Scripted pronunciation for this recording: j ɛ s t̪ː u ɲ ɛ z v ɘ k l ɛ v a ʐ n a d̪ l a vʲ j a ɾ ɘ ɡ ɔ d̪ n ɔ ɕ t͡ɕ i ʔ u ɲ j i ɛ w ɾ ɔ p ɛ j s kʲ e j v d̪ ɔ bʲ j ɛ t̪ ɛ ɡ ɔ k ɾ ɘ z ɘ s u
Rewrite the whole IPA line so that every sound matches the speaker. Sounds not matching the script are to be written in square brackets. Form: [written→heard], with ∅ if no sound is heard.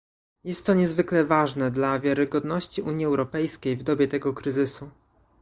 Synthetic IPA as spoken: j ɛ s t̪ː [u→ɔ] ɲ ɛ z v ɘ k l ɛ v a ʐ n [a→ɛ] d̪ l a vʲ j a ɾ ɘ ɡ ɔ d̪ n ɔ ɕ t͡ɕ i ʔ u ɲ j i ɛ w ɾ ɔ p ɛ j s kʲ e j v d̪ ɔ bʲ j ɛ t̪ ɛ ɡ ɔ k ɾ ɘ z ɘ s u